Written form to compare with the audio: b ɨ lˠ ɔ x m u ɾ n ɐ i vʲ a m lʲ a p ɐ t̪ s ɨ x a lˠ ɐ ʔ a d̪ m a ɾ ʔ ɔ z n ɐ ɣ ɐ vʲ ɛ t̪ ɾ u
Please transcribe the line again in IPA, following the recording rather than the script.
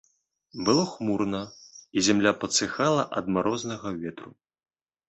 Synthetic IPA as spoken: b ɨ lˠ ɔ x m u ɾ n ɐ i zʲ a m lʲ a p ɐ t̪ s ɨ x a lˠ ɐ ʔ ɐ d̪ m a ɾ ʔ ɔ z n ɐ ɣ ɐ vʲ ɛ t̪ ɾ u